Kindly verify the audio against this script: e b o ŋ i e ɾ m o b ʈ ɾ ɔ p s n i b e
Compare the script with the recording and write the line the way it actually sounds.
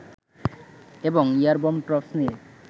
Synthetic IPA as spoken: e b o ŋ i a ɾ b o m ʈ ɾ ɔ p s n i e